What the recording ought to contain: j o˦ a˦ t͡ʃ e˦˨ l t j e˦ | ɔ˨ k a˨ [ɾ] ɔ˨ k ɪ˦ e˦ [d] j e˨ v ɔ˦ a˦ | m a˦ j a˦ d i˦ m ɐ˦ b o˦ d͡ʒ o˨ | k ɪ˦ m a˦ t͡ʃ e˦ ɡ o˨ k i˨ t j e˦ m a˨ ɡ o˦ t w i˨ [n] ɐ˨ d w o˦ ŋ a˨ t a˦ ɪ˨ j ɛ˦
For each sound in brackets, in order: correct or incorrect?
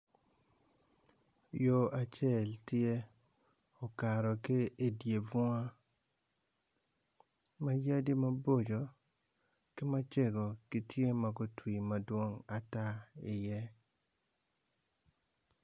correct, correct, incorrect: m

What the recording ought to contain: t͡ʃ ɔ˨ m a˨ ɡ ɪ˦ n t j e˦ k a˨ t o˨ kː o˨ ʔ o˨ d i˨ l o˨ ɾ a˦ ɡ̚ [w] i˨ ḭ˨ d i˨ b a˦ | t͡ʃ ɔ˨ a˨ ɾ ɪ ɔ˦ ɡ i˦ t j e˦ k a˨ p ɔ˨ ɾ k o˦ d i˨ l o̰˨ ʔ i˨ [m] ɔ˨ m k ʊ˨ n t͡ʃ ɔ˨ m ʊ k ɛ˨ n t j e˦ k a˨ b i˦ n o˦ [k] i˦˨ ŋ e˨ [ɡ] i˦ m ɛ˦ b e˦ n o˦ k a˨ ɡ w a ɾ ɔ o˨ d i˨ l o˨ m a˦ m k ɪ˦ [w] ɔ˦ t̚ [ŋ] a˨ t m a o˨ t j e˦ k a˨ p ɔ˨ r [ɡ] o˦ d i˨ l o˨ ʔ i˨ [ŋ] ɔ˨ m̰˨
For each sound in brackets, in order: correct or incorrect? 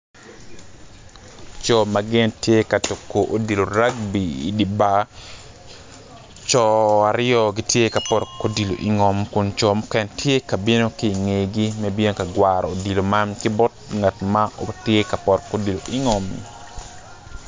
incorrect: b, incorrect: ŋ, correct, correct, incorrect: b, correct, incorrect: k, correct

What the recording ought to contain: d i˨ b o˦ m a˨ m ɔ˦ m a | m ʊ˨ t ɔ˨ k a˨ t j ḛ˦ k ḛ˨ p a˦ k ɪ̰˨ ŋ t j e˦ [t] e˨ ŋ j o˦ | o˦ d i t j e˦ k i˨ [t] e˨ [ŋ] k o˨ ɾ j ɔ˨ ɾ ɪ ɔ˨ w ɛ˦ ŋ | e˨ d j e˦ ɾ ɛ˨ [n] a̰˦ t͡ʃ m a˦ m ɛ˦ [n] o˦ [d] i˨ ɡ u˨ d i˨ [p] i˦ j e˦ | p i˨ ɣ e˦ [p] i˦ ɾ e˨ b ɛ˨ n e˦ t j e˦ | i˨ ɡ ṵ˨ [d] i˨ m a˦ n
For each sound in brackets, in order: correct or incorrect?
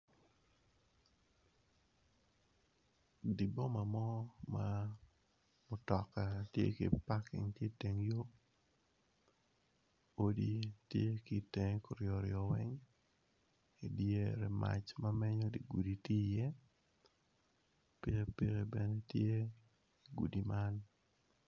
correct, correct, correct, incorrect: m, incorrect: ɲ, correct, incorrect: t, correct, correct

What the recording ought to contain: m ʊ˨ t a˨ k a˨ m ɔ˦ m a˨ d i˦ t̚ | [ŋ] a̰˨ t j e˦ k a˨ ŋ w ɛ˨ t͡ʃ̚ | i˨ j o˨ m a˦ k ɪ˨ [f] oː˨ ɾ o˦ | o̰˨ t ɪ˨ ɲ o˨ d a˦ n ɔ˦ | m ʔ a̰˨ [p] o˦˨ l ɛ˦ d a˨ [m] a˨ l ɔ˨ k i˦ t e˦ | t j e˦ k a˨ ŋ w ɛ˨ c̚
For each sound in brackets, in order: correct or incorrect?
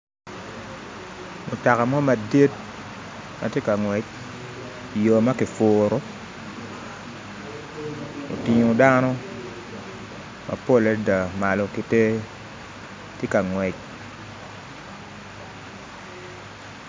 incorrect: m, correct, correct, correct

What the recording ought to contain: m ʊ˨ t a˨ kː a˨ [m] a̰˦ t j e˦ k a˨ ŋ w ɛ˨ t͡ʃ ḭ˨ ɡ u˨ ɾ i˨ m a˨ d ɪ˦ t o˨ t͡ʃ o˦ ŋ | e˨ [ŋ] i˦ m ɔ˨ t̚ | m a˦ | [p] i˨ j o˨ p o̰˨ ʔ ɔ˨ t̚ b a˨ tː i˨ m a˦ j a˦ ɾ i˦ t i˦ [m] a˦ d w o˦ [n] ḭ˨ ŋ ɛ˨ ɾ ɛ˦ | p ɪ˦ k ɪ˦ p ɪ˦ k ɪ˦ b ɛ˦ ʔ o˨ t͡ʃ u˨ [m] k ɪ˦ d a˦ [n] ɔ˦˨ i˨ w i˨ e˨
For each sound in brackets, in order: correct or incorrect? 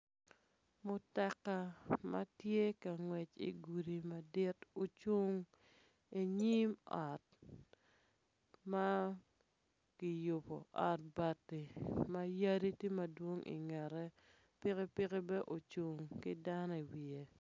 correct, incorrect: ɲ, incorrect: k, correct, incorrect: ŋ, incorrect: ŋ, correct

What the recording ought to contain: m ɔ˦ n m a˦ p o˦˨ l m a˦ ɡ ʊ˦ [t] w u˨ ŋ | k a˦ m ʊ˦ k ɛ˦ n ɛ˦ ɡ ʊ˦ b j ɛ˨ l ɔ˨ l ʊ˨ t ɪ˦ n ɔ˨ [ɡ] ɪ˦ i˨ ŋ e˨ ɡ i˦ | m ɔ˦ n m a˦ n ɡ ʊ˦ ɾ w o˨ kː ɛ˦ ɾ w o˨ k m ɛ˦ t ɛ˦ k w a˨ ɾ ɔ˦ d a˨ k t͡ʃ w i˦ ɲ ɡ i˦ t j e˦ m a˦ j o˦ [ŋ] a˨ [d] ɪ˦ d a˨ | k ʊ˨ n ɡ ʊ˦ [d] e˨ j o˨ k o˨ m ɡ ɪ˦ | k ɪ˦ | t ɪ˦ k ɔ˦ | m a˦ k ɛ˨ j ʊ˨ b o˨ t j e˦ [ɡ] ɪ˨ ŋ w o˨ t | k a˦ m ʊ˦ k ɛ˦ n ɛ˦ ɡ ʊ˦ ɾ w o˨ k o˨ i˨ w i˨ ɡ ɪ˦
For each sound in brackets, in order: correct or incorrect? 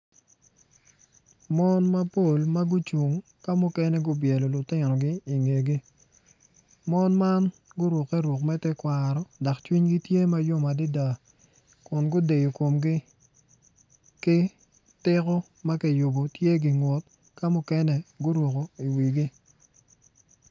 incorrect: t͡ʃ, correct, incorrect: m, correct, correct, correct

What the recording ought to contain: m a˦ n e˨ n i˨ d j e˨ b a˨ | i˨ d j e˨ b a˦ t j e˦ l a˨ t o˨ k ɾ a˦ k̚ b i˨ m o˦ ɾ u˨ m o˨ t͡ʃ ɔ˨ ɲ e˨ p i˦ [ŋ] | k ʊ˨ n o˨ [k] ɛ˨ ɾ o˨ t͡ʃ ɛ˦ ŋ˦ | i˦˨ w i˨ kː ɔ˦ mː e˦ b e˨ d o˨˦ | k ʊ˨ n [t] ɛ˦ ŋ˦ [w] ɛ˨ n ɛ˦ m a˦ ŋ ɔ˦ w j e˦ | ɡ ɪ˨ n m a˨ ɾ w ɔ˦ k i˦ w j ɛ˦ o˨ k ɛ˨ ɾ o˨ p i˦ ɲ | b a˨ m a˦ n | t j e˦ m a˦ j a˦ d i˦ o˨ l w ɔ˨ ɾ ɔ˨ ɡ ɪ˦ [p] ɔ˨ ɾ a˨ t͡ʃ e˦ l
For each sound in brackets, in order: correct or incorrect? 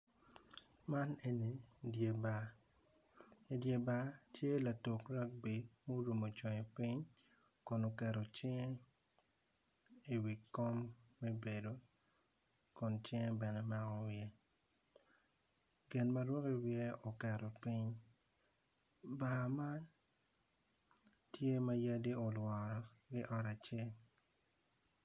incorrect: ɲ, correct, incorrect: t͡ʃ, incorrect: b, incorrect: ʔ

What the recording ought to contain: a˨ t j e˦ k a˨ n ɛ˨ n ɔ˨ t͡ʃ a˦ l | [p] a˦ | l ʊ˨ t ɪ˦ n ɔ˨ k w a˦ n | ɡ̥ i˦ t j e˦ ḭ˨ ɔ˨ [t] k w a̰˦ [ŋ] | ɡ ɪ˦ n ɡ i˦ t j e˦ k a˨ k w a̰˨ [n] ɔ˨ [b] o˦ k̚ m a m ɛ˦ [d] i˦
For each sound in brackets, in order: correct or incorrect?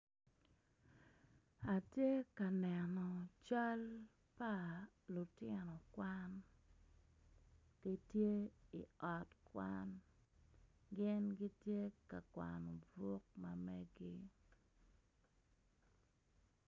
correct, correct, incorrect: n, correct, correct, incorrect: ɡ

